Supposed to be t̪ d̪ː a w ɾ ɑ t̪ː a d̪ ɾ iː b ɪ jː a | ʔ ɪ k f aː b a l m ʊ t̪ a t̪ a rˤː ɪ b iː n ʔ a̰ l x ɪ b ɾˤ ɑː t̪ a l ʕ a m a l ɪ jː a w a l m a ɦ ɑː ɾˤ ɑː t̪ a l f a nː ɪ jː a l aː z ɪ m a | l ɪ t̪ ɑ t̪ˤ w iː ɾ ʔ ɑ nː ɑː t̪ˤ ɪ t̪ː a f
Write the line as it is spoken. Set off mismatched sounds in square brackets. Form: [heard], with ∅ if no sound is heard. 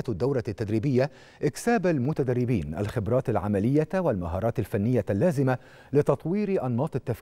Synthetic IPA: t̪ d̪ː a w ɾ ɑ t̪ː a d̪ ɾ iː b ɪ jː a | ʔ ɪ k [s] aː b a l m ʊ t̪ a [d̪] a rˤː ɪ b iː n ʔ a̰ l x ɪ b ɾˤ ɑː t̪ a l ʕ a m a l ɪ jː a w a l m a ɦ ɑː ɾˤ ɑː t̪ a l f a nː ɪ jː a [lː] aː z ɪ m a | l ɪ t̪ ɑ t̪ˤ w iː ɾ ʔ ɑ nː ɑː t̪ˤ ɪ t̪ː a f